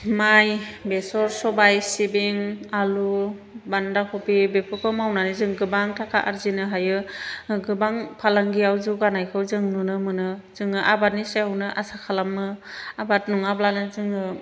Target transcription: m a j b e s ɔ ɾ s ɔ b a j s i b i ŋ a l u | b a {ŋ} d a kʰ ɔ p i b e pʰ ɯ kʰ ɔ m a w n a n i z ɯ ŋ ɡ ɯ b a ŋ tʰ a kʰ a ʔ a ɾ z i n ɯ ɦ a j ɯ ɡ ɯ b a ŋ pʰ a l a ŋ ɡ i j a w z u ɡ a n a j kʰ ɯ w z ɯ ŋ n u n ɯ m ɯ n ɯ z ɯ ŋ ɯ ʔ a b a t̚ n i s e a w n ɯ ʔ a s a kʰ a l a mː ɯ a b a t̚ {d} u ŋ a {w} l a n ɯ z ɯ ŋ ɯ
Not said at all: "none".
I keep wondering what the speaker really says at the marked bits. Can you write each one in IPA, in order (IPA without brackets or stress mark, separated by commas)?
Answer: n, n, b